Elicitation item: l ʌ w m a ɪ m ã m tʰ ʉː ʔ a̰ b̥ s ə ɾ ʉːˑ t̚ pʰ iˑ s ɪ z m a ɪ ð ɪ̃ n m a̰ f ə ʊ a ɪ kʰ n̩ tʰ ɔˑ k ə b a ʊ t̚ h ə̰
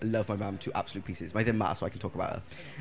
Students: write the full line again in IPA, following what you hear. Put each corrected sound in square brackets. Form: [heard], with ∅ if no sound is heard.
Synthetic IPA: l ʌ [v] m a ɪ m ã m tʰ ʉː ʔ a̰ b̥ s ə [l] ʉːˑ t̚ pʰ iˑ s ɪ z m a ɪ ð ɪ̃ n m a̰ [s] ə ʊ a ɪ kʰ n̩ tʰ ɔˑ k ə b a ʊ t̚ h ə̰